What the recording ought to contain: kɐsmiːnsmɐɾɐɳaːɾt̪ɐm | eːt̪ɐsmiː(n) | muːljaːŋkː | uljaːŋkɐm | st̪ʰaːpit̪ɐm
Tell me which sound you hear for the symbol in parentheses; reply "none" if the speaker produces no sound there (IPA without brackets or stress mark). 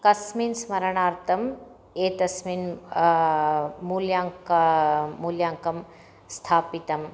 n